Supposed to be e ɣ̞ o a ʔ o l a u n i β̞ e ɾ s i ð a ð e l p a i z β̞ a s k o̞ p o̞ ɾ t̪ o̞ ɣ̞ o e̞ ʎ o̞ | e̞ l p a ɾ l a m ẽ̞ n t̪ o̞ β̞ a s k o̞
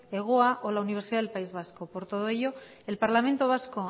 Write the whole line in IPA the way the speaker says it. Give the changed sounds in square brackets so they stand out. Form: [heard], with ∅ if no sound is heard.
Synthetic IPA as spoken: e ɣ̞ o a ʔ o l a u n i β̞ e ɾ s i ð a ð e l p a i z β̞ a s k o̞ p o̞ ɾ t̪ o̞ [ð̞] o e̞ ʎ o̞ | e̞ l p a ɾ l a m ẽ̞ n t̪ o̞ β̞ a s k o̞